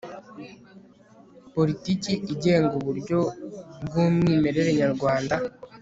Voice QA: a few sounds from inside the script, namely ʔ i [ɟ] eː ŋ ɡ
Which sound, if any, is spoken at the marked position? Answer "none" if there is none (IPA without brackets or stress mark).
ɟ